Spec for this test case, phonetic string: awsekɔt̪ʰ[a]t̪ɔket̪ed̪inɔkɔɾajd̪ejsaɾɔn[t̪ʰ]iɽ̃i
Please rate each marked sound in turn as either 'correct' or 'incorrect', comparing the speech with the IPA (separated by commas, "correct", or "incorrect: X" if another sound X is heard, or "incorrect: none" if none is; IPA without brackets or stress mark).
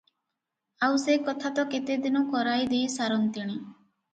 correct, incorrect: t̪